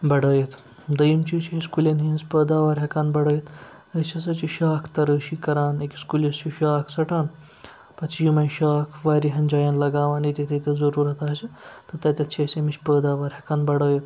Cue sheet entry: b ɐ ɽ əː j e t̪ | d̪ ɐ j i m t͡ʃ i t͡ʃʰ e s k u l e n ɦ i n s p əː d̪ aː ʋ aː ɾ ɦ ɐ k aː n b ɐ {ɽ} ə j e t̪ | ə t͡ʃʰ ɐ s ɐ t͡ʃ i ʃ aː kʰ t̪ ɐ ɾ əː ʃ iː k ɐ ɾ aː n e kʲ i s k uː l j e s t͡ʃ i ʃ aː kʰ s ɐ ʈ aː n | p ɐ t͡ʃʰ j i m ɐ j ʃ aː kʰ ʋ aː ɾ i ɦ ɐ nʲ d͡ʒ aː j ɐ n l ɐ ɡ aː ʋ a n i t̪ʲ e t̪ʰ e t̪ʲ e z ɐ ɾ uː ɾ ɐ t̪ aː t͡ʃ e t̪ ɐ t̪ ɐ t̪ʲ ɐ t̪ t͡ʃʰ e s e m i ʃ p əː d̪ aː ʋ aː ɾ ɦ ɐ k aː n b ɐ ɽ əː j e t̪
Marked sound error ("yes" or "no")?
no